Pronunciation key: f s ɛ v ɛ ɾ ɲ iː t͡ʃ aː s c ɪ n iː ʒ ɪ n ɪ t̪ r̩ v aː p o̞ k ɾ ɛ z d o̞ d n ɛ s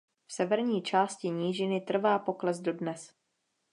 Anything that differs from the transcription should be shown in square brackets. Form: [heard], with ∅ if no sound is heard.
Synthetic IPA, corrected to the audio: f s ɛ v ɛ ɾ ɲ iː t͡ʃ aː s c ɪ [ɲ] iː ʒ ɪ n ɪ t̪ r̩ v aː p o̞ k [l] ɛ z d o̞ d n ɛ s